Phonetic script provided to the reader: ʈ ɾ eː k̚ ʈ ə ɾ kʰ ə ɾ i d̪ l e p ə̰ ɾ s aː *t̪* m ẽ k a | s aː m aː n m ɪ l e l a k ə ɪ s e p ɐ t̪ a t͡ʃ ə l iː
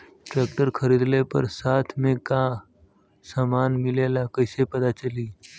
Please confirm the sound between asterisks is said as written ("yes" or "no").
no